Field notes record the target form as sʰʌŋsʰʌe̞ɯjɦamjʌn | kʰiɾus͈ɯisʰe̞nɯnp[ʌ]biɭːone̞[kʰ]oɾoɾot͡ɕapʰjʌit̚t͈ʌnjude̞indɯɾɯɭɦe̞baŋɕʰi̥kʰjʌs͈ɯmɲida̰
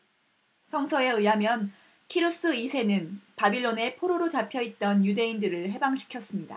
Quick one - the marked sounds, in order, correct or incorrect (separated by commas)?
incorrect, incorrect